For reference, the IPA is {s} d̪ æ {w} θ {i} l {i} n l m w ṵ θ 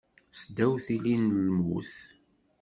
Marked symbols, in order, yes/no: yes, yes, yes, yes

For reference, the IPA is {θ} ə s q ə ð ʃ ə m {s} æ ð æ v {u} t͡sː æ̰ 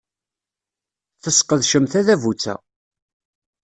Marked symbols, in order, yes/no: yes, no, yes

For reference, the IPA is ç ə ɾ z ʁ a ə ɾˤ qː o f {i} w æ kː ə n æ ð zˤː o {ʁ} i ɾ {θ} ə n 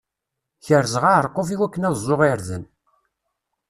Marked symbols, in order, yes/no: yes, yes, no

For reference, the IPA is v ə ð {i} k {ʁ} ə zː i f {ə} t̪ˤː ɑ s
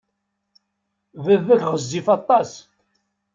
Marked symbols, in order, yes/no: no, yes, no

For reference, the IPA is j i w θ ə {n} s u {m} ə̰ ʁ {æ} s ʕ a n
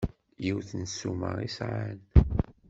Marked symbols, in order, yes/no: yes, yes, no

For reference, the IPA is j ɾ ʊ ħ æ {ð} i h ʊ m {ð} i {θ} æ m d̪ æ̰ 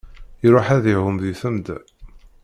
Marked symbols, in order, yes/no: yes, yes, yes

